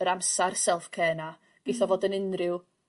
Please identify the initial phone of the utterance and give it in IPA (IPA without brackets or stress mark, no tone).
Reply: ə